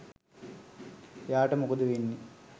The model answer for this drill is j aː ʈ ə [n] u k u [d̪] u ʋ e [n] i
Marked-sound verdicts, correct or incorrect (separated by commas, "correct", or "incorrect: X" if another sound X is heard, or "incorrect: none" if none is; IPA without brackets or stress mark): incorrect: m, correct, incorrect: nː